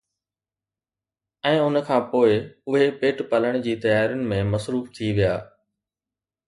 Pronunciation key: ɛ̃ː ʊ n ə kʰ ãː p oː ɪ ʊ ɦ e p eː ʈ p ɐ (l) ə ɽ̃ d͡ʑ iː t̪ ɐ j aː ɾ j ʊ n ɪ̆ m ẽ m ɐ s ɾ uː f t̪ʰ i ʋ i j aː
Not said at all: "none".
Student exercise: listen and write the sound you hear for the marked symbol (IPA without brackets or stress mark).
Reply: l